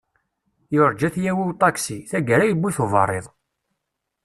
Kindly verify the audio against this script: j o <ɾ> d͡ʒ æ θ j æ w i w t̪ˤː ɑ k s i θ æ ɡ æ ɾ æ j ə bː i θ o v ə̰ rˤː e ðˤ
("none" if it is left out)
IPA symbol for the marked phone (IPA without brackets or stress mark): ɾ